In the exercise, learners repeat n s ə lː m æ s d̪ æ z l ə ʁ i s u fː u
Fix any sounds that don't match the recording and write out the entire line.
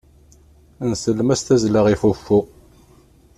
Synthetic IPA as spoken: n s ə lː m æ s t̪ æ z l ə ʁ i f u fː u